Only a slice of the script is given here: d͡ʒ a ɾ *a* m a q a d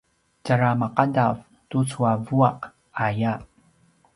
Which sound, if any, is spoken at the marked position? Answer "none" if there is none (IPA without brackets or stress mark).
a